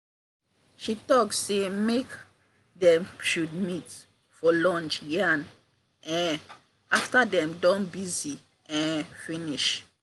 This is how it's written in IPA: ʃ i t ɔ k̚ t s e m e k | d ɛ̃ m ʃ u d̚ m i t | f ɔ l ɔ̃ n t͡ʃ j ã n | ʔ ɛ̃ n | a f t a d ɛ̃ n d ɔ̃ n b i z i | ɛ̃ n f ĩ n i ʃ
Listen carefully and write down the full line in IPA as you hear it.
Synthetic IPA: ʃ i t ɔ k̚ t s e m e k | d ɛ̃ m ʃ u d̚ m i t | f ɔ l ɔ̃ n t͡ʃ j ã n | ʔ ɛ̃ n | a f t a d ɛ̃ m d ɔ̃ n b i z i | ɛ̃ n f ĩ n i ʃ